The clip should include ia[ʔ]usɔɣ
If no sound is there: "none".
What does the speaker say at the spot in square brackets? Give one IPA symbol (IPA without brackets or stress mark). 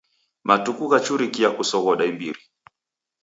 k